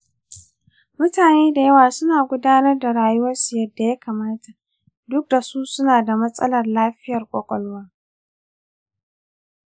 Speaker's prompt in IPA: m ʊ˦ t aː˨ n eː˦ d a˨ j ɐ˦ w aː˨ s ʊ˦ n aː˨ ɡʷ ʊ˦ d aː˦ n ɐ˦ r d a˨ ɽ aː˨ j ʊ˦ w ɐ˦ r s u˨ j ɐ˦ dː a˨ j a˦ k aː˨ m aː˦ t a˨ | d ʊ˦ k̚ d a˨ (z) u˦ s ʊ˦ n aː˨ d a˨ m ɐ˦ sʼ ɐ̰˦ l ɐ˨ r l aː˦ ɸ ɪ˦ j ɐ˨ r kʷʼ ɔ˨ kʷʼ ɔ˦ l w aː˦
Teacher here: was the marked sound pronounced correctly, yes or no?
no